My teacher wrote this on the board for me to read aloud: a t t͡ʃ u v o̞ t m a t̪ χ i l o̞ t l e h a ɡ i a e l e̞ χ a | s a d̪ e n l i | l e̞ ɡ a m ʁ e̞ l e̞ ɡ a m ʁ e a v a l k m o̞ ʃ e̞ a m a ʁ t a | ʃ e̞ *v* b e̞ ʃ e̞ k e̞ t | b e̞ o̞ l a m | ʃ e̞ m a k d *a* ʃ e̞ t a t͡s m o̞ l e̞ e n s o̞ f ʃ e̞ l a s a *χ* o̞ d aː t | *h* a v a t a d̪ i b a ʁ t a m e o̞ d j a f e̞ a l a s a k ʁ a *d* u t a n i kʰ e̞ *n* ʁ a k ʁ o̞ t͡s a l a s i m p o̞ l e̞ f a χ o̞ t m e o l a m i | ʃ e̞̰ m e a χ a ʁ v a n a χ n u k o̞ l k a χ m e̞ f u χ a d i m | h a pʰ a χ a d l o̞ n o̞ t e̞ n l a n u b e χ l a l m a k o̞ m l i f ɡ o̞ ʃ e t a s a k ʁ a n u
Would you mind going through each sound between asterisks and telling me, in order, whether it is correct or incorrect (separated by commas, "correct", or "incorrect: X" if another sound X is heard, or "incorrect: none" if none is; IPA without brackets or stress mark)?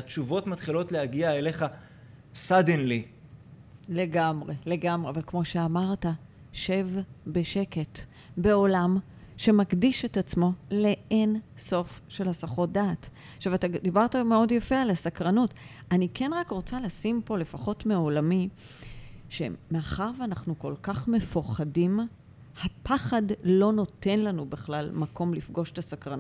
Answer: correct, incorrect: i, correct, incorrect: ʃ, incorrect: n, correct